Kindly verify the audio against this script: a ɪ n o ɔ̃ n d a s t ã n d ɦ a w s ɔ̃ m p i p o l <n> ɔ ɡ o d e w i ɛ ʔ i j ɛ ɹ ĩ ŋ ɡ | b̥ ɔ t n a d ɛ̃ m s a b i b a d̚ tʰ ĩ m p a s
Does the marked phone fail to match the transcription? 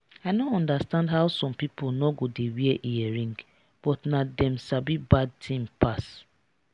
no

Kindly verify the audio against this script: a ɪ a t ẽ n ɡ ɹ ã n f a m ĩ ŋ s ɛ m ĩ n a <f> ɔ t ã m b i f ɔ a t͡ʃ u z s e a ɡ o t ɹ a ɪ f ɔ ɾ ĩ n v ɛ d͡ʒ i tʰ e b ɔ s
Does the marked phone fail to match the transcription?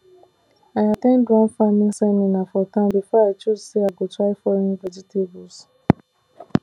no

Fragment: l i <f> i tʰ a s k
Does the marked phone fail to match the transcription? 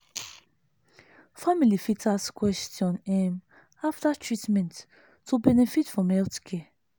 no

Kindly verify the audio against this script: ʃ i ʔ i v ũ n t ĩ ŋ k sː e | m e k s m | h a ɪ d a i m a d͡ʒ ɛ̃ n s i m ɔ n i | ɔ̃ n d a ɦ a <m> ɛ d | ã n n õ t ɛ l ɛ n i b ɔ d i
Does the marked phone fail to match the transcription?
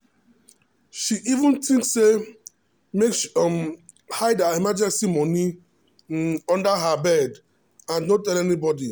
yes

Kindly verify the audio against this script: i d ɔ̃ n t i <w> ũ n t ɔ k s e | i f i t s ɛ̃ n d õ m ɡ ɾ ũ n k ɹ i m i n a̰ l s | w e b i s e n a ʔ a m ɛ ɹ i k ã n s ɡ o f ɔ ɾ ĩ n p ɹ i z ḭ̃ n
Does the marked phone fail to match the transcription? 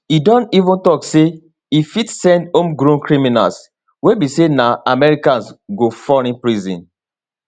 yes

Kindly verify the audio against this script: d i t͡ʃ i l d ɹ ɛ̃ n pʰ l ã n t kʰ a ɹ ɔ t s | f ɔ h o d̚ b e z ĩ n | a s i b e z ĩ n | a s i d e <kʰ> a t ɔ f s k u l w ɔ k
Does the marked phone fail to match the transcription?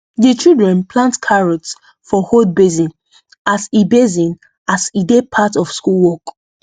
yes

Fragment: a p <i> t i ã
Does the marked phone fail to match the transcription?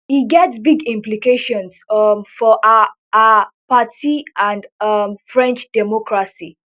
yes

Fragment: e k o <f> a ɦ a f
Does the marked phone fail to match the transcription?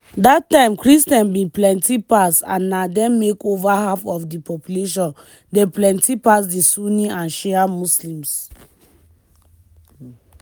yes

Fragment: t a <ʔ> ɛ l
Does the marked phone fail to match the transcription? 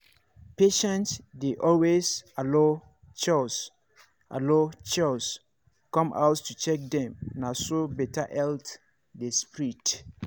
no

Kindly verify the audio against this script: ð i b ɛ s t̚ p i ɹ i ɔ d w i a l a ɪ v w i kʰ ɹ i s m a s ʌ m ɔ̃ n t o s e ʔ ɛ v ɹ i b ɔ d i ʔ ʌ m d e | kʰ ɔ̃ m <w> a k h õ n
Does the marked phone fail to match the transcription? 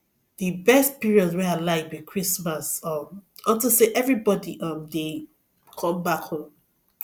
yes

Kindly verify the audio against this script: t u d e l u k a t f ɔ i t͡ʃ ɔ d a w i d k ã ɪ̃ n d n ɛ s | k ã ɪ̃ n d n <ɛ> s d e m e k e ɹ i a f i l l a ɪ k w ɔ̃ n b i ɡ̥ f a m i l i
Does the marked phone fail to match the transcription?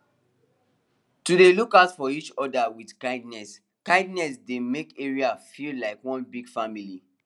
no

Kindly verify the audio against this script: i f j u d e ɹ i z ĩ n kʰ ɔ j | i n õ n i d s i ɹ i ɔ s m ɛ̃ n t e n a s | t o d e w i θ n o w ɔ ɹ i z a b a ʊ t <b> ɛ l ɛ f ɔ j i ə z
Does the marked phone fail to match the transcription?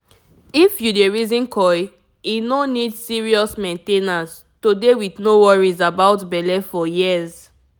no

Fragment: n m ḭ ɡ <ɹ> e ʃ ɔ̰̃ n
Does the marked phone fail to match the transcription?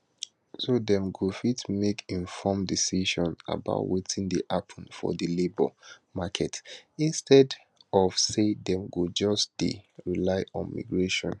no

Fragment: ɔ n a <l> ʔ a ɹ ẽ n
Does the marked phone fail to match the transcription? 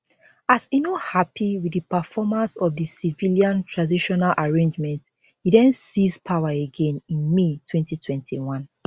no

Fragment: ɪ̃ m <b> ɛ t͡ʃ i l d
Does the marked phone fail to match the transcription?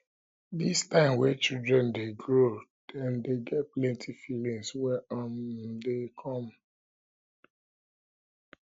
yes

